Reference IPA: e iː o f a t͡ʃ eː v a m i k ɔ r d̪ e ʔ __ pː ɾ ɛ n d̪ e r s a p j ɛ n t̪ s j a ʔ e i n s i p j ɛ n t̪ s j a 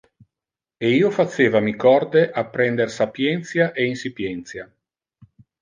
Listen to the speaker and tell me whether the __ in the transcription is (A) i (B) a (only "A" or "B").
B